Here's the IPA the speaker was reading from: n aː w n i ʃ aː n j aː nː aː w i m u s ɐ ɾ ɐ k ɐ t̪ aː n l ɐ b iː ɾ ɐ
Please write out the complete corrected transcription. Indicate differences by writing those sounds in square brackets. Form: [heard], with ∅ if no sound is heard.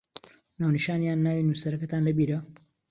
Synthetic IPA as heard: n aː w n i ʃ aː n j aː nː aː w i [n] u s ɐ ɾ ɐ k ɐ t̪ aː n l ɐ b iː ɾ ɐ